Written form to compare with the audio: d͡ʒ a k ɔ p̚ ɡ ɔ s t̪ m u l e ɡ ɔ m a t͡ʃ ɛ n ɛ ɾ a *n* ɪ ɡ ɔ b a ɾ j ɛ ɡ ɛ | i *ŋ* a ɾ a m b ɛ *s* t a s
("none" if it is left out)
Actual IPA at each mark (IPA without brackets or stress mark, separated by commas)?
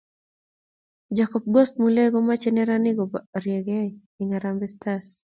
n, ŋ, s